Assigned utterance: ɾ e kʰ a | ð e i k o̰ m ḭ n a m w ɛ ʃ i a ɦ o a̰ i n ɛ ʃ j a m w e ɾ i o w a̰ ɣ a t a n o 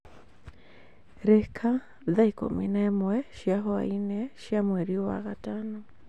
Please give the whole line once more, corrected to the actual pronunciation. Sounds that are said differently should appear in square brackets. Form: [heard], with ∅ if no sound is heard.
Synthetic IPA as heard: ɾ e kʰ a | ð [a] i k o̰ m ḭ n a m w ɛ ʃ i a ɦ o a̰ i n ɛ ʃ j a m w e ɾ i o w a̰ ɣ a t a n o